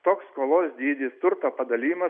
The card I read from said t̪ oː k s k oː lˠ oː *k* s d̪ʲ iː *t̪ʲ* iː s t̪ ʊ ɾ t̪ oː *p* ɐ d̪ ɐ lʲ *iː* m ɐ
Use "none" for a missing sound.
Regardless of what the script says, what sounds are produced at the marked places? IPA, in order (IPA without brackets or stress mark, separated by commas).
none, d̪ʲ, p, iː